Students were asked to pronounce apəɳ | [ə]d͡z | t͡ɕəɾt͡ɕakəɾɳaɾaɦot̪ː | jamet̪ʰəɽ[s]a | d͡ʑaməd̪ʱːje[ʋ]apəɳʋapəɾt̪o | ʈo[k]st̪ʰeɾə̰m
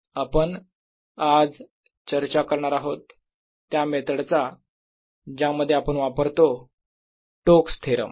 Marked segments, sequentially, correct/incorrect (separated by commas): incorrect, incorrect, incorrect, correct